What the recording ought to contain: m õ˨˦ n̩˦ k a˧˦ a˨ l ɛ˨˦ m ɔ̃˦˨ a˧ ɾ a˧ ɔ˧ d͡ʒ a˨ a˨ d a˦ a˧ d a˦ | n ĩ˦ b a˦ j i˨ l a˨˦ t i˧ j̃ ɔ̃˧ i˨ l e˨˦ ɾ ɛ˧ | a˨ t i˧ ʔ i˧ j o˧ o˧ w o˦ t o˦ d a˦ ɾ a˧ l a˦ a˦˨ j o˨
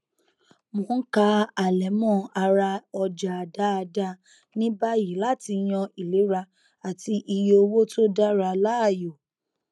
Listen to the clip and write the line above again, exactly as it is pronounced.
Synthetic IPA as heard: m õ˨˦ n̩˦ k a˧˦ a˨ l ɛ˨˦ m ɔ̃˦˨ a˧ ɾ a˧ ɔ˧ d͡ʒ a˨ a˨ d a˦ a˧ d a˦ | n ĩ˦ b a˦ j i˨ l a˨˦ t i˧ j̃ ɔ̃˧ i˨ l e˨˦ ɾ a˧ | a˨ t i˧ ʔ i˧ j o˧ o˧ w o˦ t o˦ d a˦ ɾ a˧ l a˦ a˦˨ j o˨